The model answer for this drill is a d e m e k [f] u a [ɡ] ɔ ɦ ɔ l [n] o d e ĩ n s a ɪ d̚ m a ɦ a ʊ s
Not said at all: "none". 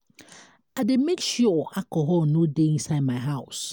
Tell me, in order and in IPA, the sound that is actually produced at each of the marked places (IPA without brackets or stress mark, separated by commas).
ʃ, k, n